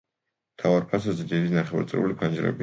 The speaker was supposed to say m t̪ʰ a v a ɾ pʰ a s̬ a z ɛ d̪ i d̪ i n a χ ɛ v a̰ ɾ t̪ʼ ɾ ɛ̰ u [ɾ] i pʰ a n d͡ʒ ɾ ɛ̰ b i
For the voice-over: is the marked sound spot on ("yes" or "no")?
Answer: no